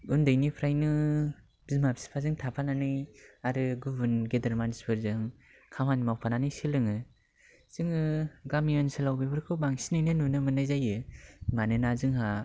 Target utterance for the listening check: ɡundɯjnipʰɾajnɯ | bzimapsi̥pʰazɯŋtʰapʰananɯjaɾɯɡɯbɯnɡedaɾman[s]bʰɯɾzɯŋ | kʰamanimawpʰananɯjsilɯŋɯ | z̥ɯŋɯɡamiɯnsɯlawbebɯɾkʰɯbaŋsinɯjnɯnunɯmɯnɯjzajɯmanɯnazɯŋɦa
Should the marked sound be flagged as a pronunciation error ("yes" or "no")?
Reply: no